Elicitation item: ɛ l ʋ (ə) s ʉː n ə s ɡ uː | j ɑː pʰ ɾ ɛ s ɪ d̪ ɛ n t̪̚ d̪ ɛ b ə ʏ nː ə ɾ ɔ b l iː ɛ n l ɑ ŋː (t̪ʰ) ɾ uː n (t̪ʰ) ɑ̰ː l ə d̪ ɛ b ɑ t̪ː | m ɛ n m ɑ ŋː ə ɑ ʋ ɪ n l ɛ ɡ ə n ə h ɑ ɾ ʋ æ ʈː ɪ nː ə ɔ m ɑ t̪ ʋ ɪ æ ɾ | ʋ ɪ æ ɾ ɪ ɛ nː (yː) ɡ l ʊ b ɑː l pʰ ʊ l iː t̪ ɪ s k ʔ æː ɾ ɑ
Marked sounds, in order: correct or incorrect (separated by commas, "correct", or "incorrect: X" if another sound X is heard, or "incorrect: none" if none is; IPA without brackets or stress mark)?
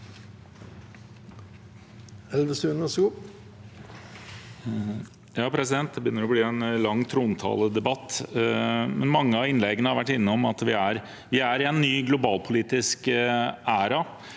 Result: correct, correct, correct, correct